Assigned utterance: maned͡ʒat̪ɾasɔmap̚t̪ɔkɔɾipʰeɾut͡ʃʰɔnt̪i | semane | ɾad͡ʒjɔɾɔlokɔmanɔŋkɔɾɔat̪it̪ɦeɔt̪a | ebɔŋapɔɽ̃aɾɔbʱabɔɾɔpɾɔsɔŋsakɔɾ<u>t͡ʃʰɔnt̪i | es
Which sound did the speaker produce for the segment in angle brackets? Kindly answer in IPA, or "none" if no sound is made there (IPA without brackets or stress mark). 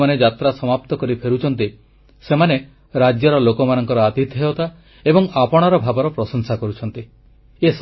u